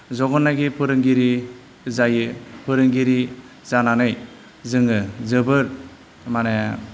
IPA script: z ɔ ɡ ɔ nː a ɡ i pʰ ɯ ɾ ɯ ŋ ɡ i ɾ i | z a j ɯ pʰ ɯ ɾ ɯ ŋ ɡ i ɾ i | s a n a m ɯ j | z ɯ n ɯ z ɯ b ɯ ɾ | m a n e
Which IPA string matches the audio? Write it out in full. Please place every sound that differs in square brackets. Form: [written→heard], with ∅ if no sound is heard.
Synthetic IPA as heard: z ɔ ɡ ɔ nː a ɡ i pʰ ɯ ɾ ɯ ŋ ɡ i ɾ i | z a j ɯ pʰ ɯ ɾ ɯ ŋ ɡ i ɾ i | [s→z] a n a [m→n] ɯ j | z ɯ [n→ŋ] ɯ z ɯ b ɯ ɾ | m a n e